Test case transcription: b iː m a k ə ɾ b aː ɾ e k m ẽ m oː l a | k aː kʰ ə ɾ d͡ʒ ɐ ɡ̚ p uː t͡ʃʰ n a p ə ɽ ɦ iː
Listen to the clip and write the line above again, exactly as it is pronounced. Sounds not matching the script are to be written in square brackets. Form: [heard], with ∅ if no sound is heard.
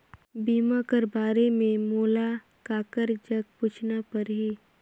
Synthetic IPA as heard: b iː m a k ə ɾ b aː ɾ e [∅] m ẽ m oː l a | k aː [k] ə ɾ d͡ʒ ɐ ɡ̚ p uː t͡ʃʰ n a p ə [ɾ] ɦ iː